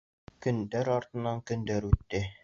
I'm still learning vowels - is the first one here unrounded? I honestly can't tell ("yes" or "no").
no